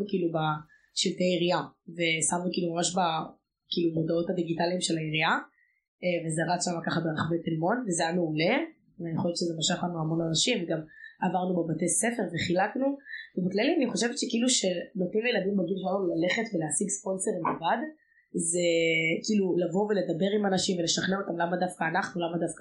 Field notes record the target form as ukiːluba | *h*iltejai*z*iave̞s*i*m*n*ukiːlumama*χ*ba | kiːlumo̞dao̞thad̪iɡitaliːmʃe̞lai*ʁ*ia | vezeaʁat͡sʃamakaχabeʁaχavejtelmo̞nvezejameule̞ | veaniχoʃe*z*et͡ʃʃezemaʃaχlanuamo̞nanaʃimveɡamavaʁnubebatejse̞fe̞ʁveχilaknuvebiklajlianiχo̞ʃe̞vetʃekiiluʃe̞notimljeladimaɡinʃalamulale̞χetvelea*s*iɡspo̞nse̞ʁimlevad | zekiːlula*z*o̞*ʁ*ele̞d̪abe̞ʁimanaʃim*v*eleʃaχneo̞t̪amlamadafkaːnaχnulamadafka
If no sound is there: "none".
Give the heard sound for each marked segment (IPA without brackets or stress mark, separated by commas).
ʃ, ʁ, a, n, ʃ, ʁ, v, s, v, v, v